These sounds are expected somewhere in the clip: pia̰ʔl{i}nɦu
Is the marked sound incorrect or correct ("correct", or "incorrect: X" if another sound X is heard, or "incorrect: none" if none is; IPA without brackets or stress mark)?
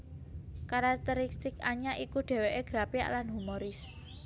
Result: incorrect: a